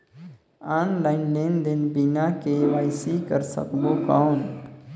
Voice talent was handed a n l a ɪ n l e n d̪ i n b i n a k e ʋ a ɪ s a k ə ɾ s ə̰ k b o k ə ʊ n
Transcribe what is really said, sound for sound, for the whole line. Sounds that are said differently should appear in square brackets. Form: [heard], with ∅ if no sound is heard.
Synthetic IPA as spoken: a n l a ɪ n l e n d̪ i n b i n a k e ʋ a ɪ s [i] k ə ɾ s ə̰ k b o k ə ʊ n